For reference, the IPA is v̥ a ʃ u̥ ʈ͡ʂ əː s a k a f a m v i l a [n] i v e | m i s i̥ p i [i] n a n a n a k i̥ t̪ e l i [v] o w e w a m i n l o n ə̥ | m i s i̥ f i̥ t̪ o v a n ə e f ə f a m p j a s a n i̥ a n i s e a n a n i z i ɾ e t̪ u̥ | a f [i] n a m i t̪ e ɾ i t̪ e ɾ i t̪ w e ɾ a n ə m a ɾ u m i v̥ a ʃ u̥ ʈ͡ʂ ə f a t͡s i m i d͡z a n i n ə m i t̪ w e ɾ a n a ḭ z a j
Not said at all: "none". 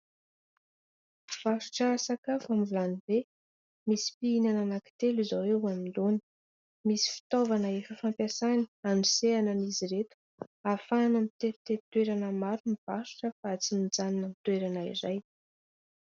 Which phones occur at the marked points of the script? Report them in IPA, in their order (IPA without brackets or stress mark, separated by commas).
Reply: n, i, z, a